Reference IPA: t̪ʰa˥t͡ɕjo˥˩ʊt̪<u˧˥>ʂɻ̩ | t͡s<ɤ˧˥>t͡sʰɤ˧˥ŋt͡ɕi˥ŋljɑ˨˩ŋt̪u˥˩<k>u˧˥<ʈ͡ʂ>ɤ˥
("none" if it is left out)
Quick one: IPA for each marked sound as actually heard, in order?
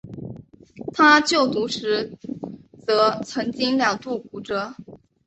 u˧˥, ɤ˧˥, k, ʈ͡ʂ

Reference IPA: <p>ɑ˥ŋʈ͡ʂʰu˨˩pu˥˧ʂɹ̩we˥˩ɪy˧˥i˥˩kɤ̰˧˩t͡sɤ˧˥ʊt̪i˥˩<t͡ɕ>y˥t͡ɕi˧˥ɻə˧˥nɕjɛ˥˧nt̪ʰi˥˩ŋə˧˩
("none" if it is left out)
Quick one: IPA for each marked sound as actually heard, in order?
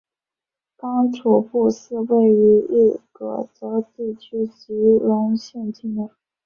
k, t͡ɕʰ

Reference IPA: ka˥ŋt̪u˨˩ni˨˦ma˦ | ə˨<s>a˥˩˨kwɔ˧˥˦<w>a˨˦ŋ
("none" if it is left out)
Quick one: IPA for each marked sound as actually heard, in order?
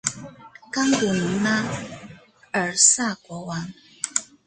s, w

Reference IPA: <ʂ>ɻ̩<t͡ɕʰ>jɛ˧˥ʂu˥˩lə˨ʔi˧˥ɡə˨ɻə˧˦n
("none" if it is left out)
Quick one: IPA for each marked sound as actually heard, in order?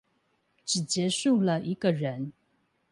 ʈ͡ʂ, t͡ɕ

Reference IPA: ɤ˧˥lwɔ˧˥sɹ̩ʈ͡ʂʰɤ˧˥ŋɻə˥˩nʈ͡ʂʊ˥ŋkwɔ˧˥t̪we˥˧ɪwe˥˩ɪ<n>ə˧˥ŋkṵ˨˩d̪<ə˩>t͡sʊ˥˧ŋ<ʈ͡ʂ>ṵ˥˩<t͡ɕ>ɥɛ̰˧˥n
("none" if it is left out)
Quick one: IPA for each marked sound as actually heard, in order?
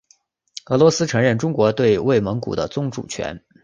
m, ə˦, ʈ͡ʂ, t͡ɕʰ

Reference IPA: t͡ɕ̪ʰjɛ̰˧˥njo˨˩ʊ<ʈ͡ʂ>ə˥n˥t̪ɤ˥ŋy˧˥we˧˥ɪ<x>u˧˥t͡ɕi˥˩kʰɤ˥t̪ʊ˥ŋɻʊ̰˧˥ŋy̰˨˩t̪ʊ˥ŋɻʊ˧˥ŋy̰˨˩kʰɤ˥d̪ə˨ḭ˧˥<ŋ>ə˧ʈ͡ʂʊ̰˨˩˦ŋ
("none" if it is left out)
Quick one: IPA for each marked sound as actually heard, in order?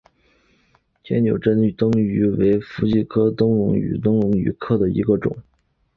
ʈ͡ʂ, f, ɡ

